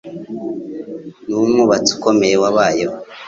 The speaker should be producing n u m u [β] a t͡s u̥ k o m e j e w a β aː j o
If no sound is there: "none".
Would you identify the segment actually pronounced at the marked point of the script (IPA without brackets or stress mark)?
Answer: β